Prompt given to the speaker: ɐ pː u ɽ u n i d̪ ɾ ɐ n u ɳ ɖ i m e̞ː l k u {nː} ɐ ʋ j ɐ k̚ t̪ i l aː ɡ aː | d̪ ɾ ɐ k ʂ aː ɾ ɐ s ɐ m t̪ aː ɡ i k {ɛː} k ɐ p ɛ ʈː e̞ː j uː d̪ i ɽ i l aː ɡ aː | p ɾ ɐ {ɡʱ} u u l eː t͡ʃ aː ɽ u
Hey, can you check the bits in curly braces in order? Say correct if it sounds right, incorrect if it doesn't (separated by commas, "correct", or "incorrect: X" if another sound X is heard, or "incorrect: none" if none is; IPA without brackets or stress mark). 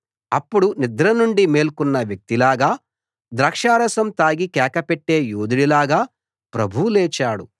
correct, correct, incorrect: bʱ